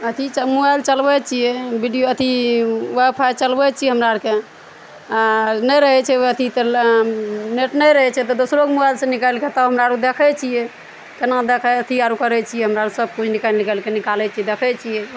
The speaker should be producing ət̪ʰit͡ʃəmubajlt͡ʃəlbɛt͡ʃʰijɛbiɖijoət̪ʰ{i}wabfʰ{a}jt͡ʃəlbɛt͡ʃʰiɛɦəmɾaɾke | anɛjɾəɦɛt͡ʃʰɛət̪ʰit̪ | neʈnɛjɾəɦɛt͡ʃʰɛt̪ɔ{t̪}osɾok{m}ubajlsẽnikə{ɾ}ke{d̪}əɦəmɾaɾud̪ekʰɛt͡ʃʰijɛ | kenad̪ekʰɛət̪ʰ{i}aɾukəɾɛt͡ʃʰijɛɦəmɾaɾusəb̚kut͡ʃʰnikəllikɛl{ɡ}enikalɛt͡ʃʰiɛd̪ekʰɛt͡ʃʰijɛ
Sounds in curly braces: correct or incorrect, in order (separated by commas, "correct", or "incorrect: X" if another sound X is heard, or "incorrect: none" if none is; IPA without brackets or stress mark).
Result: correct, correct, incorrect: d̪, correct, incorrect: l, incorrect: t̪, correct, incorrect: k